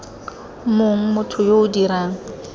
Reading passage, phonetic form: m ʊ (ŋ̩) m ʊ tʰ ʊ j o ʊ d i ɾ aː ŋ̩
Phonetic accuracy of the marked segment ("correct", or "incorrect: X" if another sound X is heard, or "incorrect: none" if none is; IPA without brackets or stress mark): correct